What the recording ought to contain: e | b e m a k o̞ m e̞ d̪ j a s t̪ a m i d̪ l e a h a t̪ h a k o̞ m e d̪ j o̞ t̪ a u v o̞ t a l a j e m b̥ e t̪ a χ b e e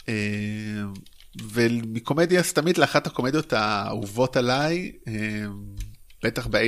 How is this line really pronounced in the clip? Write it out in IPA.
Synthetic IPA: e | v e m i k o̞ m e̞ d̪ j a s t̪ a m i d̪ l e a χ a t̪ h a k o̞ m e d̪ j o̞ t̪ a u v o̞ t a l a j e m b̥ e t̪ a χ b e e